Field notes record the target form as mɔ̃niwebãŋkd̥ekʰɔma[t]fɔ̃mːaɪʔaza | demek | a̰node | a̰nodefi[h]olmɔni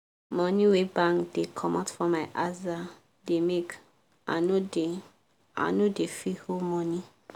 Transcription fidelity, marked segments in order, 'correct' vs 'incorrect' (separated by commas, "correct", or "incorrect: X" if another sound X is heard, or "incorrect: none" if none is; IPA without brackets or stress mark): correct, correct